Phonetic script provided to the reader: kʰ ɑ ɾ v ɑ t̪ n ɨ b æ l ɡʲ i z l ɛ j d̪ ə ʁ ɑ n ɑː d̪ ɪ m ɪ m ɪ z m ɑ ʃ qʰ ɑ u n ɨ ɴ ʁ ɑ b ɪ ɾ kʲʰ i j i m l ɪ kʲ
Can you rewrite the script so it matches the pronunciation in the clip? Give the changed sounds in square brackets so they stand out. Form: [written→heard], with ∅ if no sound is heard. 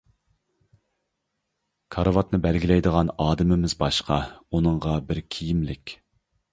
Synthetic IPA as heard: kʰ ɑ ɾ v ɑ t̪ n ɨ b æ l ɡʲ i [z→∅] l ɛ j d̪ ə ʁ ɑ n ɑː d̪ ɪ m ɪ m ɪ z [m→b] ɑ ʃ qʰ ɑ u n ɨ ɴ ʁ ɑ b ɪ ɾ kʲʰ i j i m l ɪ kʲ

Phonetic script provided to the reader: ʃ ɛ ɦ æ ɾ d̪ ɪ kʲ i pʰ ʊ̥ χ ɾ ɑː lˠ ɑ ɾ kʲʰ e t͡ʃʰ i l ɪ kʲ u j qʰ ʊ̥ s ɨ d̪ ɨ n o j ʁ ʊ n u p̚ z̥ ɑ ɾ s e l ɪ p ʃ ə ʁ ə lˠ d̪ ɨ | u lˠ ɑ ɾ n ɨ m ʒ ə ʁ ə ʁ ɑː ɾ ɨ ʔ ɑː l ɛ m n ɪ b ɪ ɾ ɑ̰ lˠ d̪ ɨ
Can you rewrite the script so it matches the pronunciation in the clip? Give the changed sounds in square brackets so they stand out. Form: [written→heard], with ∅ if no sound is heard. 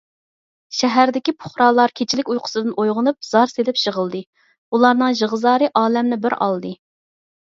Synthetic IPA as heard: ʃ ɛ ɦ æ ɾ d̪ ɪ kʲ i pʰ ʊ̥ χ ɾ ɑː lˠ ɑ ɾ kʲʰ e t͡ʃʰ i l ɪ kʲ u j qʰ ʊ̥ s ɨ d̪ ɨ n o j ʁ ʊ n u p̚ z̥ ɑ ɾ s e l ɪ p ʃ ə ʁ ə lˠ d̪ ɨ | u lˠ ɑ ɾ n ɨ [m→ŋ] ʒ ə ʁ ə [ʁ→z] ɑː ɾ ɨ ʔ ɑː l ɛ m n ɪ b ɪ ɾ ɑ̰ lˠ d̪ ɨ

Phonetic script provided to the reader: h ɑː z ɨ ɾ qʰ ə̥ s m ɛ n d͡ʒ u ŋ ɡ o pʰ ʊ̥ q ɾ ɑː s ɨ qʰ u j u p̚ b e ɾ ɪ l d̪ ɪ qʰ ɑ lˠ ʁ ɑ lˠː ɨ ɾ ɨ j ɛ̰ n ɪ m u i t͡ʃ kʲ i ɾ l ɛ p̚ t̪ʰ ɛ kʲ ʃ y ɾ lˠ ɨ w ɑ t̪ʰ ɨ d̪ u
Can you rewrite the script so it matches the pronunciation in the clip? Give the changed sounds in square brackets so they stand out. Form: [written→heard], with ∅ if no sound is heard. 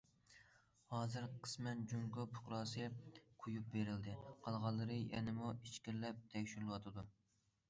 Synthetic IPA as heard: h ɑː z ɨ ɾ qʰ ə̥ s m ɛ n d͡ʒ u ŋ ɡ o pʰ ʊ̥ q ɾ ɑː s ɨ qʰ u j u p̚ b e ɾ ɪ l d̪ ɪ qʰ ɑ lˠ ʁ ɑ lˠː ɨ ɾ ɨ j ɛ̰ n ɪ m u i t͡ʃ kʲ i ɾ l ɛ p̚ t̪ʰ ɛ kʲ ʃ y ɾ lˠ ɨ w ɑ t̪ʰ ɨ d̪ u

